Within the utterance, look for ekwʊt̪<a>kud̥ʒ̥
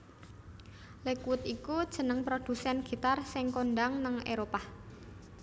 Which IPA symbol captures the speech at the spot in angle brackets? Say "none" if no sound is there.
i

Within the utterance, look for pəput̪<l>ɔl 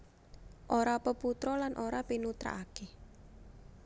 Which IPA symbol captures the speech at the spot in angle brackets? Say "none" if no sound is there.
ɾ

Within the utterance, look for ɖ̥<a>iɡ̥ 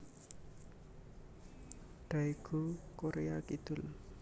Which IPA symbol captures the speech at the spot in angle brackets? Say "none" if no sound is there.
a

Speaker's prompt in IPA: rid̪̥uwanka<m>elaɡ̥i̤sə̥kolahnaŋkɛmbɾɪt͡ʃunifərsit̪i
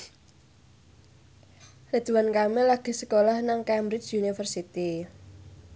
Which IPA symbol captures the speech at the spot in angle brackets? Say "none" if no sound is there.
m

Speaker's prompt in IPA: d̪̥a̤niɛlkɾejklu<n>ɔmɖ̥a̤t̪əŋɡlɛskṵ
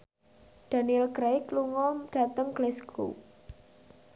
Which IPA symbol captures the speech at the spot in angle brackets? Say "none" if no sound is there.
ŋ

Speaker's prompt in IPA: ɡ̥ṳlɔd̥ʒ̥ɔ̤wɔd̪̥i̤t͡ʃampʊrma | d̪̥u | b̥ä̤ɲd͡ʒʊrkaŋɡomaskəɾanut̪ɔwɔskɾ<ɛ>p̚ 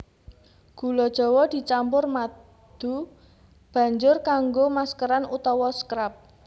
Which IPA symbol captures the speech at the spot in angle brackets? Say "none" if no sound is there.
a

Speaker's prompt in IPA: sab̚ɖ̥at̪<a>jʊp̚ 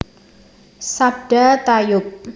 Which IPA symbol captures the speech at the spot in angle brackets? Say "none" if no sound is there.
a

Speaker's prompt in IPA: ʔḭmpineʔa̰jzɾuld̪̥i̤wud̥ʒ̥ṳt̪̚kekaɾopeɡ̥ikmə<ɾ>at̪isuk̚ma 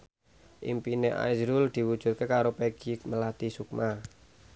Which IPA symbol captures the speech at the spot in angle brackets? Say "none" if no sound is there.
l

